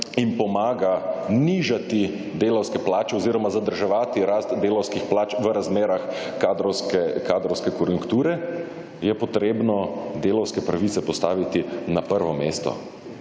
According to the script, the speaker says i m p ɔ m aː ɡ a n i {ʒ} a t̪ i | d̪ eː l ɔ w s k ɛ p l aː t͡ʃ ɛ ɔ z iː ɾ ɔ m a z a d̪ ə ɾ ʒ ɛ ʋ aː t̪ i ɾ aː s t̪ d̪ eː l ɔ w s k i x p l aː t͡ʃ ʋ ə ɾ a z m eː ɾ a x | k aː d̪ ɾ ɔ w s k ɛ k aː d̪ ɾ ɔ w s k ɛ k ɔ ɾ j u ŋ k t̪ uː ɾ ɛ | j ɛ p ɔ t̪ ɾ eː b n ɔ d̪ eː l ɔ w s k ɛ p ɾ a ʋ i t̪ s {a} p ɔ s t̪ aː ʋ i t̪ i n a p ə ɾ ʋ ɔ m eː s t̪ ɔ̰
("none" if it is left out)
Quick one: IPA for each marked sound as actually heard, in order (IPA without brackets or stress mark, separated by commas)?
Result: ʒ, ɛ